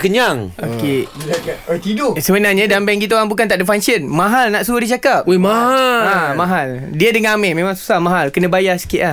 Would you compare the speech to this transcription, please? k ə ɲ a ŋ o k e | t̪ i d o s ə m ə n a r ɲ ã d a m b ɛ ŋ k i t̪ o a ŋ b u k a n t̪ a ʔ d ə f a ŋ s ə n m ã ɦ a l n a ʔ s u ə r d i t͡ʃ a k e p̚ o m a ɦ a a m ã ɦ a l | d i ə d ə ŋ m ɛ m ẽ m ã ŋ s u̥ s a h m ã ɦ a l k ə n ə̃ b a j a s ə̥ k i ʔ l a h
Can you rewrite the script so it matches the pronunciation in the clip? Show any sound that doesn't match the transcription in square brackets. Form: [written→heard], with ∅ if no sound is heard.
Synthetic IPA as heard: k ə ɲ a ŋ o k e | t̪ i d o s ə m ə n a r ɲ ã d a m b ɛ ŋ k i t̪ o a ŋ b u k a n t̪ a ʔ d ə f a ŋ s ə n m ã ɦ a l n a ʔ s u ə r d i t͡ʃ a k [e→a] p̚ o m a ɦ a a m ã ɦ a l | d i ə d ə ŋ m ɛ m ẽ m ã ŋ s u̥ s a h m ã ɦ a l k ə n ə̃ b a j a s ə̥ k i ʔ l a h